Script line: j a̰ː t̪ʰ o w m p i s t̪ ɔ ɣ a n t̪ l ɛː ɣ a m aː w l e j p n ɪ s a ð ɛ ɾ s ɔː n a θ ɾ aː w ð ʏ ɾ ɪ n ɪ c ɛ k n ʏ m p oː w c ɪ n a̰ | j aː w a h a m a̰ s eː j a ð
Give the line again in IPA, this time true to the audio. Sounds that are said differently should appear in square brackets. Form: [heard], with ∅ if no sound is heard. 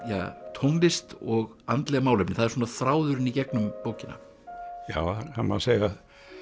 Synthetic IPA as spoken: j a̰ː t̪ʰ o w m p [ɪ] s t̪ ɔ ɣ a n t̪ l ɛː ɣ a m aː w l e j p n ɪ [θ] a ð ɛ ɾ s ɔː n a θ ɾ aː w ð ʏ ɾ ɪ n [i] c ɛ k n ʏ m p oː w c ɪ n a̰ | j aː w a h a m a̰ s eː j a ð